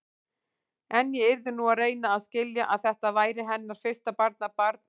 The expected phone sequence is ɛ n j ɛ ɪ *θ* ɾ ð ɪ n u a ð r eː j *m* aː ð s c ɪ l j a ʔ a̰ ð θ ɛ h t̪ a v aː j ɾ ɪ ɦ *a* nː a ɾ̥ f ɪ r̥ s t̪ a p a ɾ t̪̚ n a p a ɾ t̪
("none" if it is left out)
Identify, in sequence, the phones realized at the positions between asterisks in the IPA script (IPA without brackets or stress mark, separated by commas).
none, n, ɛ